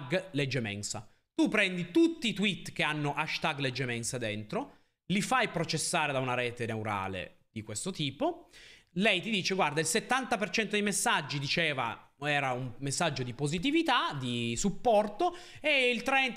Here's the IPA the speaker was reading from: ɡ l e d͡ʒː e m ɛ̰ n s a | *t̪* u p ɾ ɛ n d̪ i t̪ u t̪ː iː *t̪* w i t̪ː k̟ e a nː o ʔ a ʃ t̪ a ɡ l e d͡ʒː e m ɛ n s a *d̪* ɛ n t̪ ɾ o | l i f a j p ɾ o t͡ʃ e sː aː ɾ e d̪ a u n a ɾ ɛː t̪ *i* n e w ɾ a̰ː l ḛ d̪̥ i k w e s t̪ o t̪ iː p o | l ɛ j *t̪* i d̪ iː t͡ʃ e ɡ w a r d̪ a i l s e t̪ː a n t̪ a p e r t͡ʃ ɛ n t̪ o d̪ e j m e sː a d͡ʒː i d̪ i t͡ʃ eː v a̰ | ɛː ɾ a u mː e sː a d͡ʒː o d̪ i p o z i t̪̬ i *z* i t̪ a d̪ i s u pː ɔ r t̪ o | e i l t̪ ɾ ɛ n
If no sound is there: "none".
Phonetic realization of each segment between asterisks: t̪, t̪, d̪, e, t̪, v

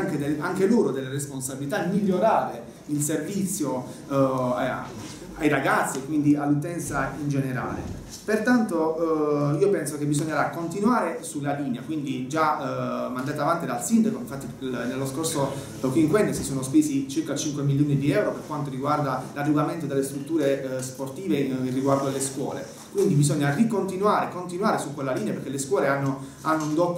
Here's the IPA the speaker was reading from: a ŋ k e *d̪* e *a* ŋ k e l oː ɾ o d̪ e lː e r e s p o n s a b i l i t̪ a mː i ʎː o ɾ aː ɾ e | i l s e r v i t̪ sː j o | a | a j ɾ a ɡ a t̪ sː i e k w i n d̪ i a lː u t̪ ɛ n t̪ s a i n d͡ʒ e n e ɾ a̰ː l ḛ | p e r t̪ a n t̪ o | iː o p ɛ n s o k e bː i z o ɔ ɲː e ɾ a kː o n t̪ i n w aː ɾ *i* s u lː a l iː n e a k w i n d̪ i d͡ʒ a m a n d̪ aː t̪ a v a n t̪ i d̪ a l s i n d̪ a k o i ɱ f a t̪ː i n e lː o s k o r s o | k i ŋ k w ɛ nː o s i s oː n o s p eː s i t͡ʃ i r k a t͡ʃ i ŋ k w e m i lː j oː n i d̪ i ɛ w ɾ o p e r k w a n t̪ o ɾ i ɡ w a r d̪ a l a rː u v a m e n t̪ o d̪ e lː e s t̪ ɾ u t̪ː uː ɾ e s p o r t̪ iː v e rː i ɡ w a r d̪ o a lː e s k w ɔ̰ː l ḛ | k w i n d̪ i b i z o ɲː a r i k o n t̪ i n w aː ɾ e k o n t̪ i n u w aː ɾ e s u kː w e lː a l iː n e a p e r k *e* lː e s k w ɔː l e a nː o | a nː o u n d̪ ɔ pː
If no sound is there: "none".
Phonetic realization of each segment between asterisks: d̪, a, e, e

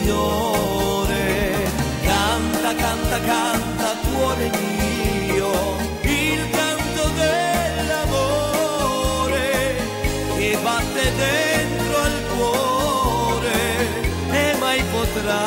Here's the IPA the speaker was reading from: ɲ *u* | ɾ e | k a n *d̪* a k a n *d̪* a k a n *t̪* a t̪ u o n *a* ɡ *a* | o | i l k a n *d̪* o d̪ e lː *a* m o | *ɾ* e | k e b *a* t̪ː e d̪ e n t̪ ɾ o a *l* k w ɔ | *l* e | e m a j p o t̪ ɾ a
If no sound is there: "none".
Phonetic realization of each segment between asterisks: o, t̪, t̪, t̪, e, i, t̪, a, ɾ, a, l, ɾ

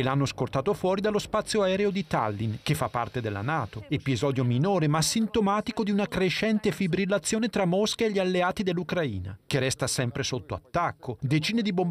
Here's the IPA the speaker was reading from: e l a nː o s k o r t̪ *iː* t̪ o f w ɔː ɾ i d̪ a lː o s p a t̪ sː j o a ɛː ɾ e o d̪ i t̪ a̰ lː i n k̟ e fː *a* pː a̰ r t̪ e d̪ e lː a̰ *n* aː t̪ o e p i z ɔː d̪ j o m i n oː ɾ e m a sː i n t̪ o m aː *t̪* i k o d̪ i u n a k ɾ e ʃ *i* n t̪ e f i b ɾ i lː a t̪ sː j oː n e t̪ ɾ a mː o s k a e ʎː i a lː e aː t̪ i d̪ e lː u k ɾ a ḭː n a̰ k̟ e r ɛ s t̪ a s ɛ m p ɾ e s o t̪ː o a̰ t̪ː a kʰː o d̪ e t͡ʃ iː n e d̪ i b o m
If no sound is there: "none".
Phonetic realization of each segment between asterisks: aː, a, n, t̪, ɛ

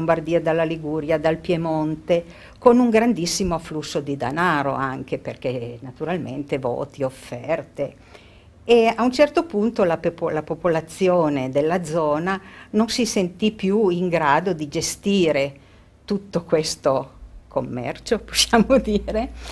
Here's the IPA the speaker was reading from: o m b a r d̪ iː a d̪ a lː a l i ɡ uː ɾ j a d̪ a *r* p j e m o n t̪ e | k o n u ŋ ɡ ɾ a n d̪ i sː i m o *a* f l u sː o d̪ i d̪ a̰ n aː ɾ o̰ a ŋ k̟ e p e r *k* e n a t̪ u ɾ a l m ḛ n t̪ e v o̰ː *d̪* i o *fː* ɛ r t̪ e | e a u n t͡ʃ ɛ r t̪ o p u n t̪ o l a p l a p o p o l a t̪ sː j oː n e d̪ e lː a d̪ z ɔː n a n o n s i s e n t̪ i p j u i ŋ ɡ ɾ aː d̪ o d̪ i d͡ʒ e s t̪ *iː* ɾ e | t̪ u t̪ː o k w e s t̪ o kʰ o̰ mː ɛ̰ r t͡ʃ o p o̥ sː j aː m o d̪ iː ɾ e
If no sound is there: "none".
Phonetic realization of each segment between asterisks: l, a, k, t̪, fː, iː

